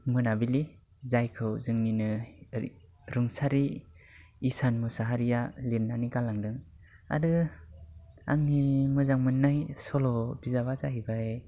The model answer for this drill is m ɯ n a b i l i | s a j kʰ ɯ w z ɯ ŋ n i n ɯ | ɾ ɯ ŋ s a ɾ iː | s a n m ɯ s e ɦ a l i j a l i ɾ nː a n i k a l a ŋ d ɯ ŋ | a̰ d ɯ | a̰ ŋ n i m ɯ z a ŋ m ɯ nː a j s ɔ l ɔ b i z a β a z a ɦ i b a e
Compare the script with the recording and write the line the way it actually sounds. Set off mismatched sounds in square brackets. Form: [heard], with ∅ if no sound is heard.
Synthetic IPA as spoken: m ɯ n a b i l i | [z] a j kʰ ɯ w z ɯ ŋ n i n ɯ | ɾ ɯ ŋ s a ɾ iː | s a n m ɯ s [a] ɦ a [ɾ] i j a l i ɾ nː a n i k a l a ŋ d ɯ ŋ | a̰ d ɯ | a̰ ŋ n i m ɯ z a ŋ m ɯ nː a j s ɔ l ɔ b i z a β a z a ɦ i b a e